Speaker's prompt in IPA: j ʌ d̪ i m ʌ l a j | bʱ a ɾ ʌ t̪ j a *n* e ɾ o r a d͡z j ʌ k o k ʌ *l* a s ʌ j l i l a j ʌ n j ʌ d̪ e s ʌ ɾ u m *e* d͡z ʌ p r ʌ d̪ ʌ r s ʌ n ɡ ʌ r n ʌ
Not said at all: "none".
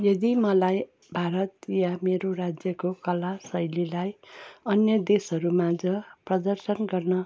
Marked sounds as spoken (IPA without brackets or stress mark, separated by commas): m, l, a